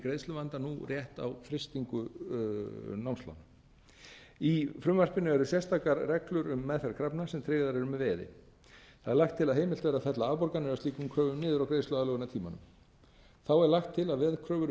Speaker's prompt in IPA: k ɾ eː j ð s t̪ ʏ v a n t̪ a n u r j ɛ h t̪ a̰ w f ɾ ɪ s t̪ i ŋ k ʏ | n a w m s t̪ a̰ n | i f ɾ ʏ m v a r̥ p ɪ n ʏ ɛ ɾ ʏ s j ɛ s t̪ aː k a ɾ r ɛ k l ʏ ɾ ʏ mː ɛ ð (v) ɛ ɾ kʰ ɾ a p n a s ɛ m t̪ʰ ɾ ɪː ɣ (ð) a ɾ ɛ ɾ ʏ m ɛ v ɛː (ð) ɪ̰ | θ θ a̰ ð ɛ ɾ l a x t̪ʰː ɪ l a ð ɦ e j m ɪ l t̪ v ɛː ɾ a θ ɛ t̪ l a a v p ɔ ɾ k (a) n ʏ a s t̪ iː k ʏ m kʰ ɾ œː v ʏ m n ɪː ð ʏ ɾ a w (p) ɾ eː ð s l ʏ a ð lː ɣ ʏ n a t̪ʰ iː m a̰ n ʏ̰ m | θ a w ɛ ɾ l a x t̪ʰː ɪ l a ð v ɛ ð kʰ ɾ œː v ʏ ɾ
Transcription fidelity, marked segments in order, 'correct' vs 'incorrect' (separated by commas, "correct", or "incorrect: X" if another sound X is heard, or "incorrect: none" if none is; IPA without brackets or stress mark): incorrect: f, correct, correct, correct, incorrect: k